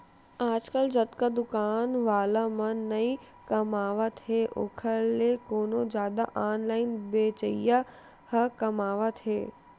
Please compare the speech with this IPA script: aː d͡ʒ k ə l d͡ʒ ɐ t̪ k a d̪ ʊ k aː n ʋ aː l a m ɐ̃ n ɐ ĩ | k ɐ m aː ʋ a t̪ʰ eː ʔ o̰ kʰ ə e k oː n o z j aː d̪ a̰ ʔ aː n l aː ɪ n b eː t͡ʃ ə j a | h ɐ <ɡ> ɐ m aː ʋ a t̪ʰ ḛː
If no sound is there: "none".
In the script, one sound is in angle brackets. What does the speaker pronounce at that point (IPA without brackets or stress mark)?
k